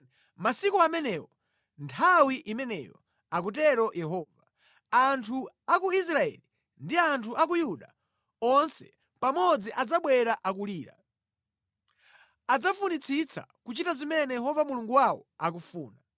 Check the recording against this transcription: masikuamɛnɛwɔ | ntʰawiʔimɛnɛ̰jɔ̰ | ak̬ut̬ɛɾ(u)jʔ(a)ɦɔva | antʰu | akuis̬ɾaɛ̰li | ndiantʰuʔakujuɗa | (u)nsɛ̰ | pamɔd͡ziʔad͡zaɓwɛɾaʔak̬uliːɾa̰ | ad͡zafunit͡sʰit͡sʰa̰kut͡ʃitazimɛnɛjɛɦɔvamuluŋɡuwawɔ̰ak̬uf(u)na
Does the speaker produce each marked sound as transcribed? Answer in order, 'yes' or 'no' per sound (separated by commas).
no, no, no, no